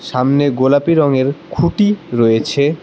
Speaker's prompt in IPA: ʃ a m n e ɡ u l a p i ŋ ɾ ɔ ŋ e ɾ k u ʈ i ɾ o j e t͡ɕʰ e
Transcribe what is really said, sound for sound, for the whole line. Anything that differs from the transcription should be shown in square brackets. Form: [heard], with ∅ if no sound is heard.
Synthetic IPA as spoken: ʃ a m n e ɡ [o] l a p i [∅] ɾ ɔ ŋ e ɾ [kʰ] u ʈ i ɾ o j e t͡ɕʰ e